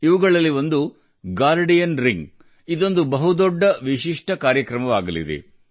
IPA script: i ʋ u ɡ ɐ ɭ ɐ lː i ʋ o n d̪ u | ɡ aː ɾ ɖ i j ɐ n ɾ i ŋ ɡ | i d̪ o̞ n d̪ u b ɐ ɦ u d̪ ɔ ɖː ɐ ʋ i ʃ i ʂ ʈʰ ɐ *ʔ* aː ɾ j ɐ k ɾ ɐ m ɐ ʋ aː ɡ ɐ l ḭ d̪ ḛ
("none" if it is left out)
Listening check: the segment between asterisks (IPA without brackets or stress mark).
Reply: k